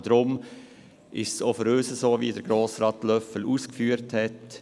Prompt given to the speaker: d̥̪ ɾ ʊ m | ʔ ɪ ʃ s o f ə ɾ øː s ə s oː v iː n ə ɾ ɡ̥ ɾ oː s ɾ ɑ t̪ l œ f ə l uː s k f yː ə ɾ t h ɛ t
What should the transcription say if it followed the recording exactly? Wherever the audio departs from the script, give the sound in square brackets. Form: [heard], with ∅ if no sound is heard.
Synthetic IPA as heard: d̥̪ ɾ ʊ m | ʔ ɪ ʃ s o f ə ɾ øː s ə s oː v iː [d] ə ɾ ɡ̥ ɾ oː s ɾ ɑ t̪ l œ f ə l uː s k f yː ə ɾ t h ɛ t